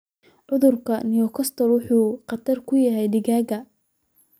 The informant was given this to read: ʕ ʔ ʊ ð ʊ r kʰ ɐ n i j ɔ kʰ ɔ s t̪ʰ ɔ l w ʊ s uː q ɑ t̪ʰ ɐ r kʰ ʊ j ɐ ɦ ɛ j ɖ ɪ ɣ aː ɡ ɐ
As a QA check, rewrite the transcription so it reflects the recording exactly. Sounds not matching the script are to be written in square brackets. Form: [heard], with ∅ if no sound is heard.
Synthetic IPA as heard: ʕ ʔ ʊ ð ʊ r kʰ ɐ n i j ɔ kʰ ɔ s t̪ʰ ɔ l w ʊ [ħ] uː q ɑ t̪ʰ ɐ r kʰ ʊ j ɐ ɦ ɛ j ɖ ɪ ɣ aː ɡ ɐ